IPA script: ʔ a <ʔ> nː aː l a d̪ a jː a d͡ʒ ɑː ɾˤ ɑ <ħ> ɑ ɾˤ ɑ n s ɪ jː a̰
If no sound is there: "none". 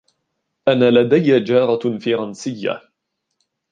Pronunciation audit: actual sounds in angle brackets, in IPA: none, f

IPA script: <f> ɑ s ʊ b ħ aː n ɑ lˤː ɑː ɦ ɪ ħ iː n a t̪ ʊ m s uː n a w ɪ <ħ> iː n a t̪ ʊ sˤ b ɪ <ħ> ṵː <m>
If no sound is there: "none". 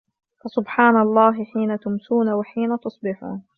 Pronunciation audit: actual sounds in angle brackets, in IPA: f, ħ, ħ, n

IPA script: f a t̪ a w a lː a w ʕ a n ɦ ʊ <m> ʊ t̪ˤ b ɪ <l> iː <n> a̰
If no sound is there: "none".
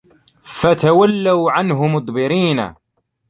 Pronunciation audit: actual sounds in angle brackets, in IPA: m, ɾ, n

